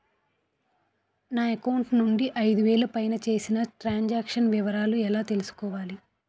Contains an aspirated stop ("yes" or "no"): no